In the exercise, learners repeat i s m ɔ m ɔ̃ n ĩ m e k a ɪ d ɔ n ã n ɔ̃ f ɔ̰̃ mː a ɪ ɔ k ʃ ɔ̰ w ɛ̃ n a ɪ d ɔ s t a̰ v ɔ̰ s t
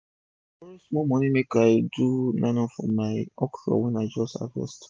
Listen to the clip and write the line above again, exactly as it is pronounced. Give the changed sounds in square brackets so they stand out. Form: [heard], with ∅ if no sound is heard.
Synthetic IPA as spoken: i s m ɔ m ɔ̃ n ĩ m e k a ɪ d [u] n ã n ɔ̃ f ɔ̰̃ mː a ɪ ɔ k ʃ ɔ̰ w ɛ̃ n a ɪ [d͡ʒ] ɔ s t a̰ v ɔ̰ s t